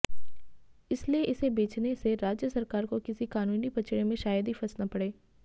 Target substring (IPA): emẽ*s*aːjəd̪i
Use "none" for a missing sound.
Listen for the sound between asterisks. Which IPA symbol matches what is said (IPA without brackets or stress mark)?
ʃ